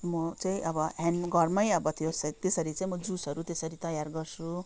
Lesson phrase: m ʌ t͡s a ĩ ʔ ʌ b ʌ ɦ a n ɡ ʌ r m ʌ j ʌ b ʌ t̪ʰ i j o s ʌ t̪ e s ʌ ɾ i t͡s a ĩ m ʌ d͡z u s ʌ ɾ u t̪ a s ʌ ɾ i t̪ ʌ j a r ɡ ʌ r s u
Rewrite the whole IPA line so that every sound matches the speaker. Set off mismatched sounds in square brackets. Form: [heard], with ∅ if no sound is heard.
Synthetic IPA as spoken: m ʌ t͡s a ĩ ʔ ʌ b ʌ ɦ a n ɡ ʌ r m ʌ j ʌ b ʌ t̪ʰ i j o s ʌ t̪ e s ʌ ɾ i t͡s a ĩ m ʌ d͡z u s ʌ ɾ u t̪ [e] s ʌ ɾ i t̪ ʌ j a r ɡ ʌ r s u